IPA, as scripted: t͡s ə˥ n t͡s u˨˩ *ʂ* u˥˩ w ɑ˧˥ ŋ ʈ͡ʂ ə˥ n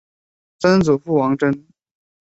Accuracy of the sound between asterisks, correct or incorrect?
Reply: incorrect